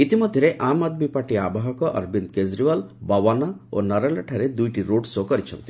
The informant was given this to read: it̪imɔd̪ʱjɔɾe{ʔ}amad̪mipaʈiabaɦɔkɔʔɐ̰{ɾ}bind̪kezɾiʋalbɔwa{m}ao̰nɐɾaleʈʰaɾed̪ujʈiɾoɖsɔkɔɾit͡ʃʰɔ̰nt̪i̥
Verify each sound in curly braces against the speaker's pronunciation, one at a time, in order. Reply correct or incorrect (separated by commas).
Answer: correct, correct, incorrect